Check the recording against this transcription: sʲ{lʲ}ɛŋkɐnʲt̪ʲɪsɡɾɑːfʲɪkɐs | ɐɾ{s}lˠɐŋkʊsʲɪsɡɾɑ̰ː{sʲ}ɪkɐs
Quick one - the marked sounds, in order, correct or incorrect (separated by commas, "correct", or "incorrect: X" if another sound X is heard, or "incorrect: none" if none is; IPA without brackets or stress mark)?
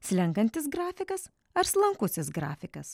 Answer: correct, correct, incorrect: fʲ